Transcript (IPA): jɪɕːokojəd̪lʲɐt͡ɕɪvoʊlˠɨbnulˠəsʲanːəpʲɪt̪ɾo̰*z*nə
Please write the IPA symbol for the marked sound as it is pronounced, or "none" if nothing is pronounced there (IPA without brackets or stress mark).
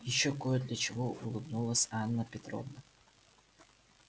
v